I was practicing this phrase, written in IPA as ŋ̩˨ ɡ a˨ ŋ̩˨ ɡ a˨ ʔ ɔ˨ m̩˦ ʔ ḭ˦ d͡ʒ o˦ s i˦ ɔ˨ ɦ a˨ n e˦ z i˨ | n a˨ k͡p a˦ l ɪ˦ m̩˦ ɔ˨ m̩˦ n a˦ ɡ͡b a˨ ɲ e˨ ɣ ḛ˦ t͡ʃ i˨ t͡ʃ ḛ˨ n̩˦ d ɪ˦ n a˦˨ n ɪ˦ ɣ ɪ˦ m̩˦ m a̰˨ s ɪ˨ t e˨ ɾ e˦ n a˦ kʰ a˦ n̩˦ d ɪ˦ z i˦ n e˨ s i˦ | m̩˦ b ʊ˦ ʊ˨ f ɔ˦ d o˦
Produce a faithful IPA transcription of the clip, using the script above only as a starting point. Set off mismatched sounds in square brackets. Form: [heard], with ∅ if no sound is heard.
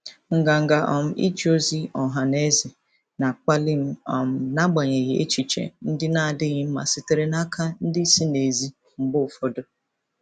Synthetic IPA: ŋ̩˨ ɡ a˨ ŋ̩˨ ɡ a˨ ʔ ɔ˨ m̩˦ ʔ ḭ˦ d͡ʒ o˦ [z] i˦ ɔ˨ ɦ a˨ n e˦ z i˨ | n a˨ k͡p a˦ l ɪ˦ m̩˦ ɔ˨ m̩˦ n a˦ ɡ͡b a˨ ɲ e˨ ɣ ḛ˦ t͡ʃ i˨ t͡ʃ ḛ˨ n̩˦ d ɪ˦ n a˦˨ [d] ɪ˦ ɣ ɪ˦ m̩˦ m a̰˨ s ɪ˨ t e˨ ɾ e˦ n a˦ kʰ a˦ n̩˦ d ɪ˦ [s] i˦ n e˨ [z] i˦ | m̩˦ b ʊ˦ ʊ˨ f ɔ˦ d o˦